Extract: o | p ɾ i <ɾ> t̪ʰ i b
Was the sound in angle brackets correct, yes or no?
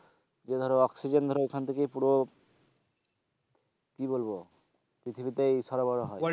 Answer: no